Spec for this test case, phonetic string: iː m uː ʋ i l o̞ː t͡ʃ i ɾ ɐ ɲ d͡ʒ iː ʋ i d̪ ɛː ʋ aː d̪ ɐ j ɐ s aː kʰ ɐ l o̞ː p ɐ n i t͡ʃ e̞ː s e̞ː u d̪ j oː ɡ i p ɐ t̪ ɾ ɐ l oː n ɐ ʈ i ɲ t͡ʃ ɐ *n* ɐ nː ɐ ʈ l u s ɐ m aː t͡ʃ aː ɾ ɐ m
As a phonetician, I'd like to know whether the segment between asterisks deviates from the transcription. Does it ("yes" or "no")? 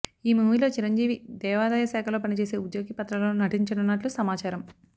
no